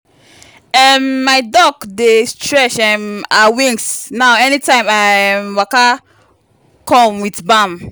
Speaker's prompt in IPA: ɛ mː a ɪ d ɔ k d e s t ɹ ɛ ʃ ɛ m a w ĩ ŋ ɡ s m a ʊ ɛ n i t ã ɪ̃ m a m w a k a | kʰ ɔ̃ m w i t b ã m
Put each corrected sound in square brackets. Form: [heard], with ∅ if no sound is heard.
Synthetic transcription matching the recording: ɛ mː a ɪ d ɔ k d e s t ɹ ɛ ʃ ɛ m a w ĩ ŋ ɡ s [n] a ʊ ɛ n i t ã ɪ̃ m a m w a k a | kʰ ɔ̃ m w i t b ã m